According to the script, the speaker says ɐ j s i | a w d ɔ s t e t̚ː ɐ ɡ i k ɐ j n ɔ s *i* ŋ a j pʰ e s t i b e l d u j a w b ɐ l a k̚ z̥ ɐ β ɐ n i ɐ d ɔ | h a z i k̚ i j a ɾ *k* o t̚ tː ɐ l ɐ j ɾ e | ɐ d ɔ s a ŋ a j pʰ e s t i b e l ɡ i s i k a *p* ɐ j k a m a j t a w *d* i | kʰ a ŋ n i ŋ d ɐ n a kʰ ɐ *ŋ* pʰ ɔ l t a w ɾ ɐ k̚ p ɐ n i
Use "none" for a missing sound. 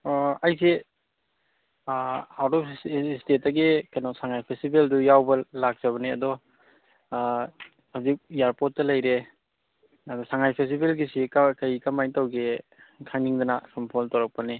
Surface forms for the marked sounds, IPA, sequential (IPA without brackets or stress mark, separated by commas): a, p, k, ɡ, m